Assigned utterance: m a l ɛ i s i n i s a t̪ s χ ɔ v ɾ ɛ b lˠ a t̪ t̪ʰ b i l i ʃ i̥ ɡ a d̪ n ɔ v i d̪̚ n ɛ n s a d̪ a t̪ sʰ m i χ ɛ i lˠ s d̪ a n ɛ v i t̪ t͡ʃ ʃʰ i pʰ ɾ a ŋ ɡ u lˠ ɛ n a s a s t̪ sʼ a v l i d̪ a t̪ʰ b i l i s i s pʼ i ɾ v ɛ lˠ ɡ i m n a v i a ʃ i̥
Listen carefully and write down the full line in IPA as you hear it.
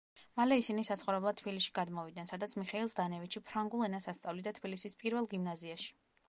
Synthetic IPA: m a l ɛ i s i n i s a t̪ s χ ɔ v ɾ ɛ b lˠ a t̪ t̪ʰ b i l i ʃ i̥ ɡ a d̪ m ɔ v i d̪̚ n ɛ n s a d̪ a t̪ sʰ m i χ ɛ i lˠ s d̪ a n ɛ v i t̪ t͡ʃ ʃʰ i pʰ ɾ a ŋ ɡ u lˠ ɛ n a s a s t̪ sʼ a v l i d̪ a t̪ʰ b i l i s i s pʼ i ɾ v ɛ lˠ ɡ i m n a z i a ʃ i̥